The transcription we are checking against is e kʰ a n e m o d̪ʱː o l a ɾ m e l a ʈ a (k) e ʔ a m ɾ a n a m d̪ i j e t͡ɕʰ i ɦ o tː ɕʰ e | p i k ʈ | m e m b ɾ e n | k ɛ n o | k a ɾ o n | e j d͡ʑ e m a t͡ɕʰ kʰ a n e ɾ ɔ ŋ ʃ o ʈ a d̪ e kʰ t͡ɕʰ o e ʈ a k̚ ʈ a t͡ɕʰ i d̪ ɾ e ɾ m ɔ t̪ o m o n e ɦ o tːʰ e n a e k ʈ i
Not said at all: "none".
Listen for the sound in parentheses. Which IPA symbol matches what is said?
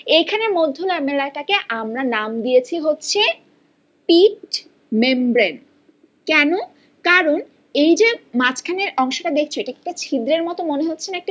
k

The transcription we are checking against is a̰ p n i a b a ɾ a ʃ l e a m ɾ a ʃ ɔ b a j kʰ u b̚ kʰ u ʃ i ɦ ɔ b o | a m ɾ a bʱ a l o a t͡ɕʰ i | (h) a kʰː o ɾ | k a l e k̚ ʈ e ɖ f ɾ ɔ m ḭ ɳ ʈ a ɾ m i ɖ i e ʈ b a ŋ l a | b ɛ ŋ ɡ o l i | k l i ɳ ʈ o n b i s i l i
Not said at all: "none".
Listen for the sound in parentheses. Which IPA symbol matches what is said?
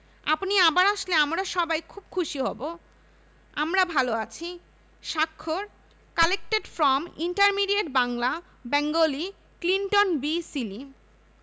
ʃ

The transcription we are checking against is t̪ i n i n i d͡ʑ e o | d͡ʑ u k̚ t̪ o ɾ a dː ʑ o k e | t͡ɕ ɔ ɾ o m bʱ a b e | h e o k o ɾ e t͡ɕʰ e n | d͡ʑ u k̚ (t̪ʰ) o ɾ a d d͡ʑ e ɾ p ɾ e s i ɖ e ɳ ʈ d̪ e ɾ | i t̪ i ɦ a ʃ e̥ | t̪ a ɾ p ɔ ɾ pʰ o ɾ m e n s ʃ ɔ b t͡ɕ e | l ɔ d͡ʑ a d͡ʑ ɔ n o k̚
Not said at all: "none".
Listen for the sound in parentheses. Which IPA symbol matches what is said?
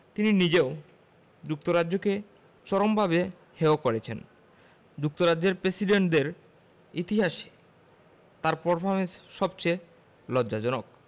t̪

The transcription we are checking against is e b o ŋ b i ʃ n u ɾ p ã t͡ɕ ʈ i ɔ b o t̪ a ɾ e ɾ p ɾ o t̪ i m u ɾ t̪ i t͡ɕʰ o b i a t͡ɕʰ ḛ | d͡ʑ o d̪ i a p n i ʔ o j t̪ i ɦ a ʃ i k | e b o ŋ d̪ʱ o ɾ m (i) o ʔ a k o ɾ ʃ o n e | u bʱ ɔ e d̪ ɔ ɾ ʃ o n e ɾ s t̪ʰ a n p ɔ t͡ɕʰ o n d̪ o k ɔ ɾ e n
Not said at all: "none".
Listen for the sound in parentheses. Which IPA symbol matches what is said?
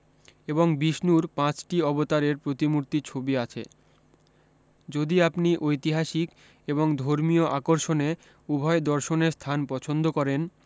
i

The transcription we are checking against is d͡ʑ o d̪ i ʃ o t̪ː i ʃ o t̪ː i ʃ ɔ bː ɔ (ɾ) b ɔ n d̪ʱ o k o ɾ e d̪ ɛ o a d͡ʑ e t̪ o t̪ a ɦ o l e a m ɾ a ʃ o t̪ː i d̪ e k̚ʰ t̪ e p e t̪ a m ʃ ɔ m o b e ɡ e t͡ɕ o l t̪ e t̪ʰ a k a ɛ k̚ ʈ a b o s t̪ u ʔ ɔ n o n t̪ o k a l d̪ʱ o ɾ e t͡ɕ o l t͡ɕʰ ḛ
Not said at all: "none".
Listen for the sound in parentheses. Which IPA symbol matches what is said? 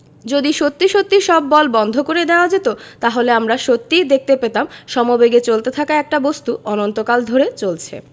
l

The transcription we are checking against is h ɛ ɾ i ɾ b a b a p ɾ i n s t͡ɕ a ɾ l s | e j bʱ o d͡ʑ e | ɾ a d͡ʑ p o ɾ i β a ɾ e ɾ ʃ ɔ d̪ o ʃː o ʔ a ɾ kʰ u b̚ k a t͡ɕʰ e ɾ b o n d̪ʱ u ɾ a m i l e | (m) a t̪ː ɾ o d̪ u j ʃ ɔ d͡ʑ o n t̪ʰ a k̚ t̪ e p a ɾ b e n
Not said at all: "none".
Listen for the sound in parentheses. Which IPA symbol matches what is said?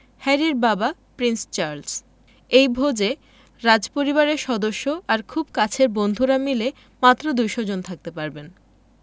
m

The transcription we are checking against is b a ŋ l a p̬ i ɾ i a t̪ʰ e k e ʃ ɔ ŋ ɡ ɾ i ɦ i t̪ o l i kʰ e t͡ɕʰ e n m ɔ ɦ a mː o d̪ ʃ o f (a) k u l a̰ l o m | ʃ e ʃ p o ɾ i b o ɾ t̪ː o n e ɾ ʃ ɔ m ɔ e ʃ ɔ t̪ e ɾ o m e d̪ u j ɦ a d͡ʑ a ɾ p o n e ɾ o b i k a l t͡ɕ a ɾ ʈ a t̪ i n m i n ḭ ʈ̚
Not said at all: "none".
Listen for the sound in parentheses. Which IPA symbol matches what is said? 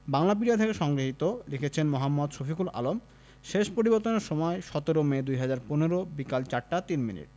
i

